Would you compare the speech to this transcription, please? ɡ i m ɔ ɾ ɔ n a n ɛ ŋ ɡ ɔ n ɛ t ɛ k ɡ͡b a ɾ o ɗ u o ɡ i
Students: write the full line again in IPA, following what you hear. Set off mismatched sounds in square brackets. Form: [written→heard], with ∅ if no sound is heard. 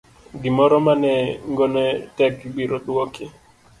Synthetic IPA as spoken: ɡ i m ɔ ɾ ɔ [n→m] a n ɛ ŋ ɡ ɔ n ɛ t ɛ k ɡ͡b [a→i] ɾ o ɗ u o [ɡ→k] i